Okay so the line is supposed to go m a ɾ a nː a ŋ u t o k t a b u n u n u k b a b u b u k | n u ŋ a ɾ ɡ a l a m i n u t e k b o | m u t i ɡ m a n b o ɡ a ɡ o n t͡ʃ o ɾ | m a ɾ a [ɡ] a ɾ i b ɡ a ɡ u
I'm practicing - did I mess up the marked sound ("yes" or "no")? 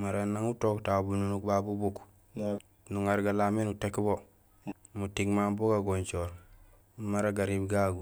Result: no